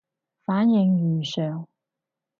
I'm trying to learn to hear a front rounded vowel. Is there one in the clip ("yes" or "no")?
yes